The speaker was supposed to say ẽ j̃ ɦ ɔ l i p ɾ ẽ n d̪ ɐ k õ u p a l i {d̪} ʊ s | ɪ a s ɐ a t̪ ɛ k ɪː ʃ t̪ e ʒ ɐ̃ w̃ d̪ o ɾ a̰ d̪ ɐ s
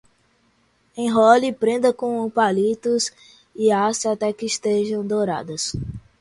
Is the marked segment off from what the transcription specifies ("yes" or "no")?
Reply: yes